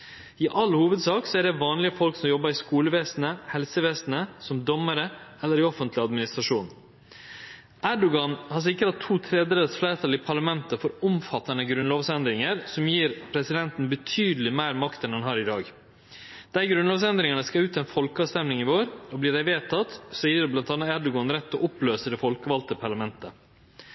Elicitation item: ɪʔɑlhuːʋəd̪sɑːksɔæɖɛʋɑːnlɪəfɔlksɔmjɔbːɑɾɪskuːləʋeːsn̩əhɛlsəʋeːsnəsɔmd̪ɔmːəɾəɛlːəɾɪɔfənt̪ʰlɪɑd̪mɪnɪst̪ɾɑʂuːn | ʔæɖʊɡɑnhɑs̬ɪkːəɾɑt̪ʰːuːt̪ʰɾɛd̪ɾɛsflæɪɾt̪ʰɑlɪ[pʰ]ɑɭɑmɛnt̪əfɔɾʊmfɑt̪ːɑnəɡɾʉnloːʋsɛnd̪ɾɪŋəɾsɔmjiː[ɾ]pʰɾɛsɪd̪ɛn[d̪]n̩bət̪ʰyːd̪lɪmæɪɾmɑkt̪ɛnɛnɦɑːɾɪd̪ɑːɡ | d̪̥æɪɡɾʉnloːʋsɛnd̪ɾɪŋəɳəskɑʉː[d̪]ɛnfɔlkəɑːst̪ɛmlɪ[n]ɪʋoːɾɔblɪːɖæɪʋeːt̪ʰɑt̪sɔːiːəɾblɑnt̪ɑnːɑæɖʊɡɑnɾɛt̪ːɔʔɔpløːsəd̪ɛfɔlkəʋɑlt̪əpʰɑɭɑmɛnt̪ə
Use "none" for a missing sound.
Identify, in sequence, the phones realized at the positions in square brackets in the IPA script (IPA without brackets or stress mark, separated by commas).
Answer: pʰ, ɾ, t̪, t̪, ŋ